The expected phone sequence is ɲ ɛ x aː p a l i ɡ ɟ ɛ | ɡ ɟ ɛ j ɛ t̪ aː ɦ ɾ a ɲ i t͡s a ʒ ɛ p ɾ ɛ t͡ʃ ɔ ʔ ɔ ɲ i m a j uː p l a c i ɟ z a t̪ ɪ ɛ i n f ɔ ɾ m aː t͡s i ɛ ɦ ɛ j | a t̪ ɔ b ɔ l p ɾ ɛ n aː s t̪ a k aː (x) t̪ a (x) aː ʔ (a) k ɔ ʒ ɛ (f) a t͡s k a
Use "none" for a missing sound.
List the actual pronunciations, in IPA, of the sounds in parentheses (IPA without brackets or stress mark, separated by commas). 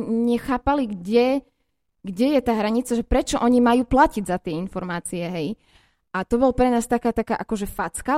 none, k, a, f